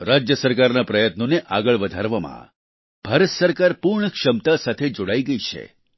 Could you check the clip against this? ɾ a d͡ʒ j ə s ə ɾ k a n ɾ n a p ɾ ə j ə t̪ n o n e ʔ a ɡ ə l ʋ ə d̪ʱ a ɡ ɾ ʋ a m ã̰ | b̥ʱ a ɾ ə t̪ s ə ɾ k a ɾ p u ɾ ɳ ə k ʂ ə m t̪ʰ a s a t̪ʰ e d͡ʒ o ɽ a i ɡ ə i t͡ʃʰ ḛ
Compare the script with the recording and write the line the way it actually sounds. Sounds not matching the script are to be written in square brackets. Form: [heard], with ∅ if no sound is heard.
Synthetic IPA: ɾ a d͡ʒ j ə s ə ɾ k a [∅] ɾ n a p ɾ ə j ə t̪ n o n e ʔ a ɡ ə [ɭ] ʋ ə d̪ʱ a [∅] ɾ ʋ a m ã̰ | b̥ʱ a ɾ ə t̪ s ə ɾ k a ɾ p u ɾ ɳ ə k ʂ ə m [t̪] a s a t̪ʰ e d͡ʒ o ɽ a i ɡ ə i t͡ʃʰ ḛ